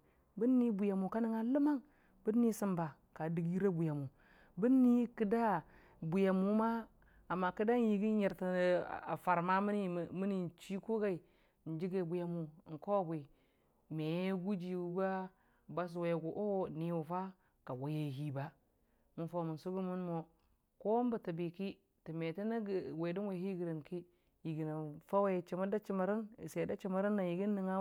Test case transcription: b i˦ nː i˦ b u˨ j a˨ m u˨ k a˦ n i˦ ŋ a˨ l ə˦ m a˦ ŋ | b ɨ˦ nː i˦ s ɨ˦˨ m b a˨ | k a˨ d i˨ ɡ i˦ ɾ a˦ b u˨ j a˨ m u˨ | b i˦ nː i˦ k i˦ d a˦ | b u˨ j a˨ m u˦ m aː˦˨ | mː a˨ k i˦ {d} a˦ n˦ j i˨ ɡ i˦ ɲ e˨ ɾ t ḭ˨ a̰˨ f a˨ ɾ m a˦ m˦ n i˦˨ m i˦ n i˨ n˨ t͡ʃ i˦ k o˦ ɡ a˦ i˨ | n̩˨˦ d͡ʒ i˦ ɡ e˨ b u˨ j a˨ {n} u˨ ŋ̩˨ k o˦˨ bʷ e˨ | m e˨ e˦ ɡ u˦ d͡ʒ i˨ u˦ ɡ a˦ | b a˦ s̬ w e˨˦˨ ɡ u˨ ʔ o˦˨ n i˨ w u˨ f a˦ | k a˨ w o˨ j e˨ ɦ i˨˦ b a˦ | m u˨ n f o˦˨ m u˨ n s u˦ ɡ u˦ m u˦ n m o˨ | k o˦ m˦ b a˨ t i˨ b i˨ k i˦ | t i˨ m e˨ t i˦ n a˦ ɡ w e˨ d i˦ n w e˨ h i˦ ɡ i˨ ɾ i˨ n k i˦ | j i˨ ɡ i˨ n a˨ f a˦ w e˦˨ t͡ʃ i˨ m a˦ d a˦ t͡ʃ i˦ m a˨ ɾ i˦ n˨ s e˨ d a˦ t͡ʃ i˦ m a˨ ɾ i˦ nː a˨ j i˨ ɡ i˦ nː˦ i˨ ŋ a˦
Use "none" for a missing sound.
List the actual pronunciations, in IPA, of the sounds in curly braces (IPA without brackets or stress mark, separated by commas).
d, m